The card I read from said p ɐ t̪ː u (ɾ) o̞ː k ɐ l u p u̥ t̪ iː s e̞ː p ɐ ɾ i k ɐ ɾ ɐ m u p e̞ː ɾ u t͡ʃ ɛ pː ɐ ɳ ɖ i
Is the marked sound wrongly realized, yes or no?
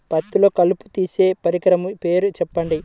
yes